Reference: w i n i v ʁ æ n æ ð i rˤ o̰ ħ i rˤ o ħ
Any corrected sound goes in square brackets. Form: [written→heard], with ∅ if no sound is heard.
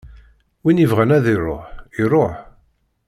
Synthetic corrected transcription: w i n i v ʁ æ n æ ð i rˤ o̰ ħ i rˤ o ħ